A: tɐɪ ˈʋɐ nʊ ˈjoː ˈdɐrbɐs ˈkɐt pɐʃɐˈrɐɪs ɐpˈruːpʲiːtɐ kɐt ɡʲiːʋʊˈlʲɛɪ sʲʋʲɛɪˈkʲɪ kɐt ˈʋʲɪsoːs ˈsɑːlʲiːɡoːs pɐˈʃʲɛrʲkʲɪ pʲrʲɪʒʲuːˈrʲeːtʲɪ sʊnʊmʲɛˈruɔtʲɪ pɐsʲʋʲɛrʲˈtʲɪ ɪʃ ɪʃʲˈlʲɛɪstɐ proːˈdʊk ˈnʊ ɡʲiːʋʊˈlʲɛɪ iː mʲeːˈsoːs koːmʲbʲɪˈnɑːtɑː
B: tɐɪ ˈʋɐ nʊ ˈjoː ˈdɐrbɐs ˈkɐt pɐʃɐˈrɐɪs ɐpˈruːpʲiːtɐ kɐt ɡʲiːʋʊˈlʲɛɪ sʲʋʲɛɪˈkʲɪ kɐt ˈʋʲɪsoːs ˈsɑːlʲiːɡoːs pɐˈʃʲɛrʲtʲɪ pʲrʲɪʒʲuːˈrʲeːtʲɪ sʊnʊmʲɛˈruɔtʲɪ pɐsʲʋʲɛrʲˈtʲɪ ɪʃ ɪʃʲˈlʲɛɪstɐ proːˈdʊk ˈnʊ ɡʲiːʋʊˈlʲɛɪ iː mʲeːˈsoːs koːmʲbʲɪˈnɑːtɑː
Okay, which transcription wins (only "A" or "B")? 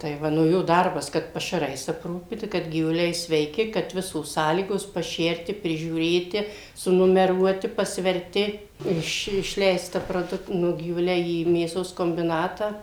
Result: B